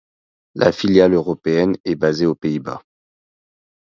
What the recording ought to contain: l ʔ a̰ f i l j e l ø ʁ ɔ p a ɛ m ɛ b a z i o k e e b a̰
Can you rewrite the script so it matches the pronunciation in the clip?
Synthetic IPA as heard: l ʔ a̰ f i l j a l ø ʁ ɔ p e ɛ n ɛ b a z e o p e i b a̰